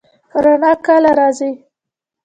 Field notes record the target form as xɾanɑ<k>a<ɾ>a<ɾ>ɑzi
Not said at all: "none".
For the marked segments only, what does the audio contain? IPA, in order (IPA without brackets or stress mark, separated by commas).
k, l, ɾ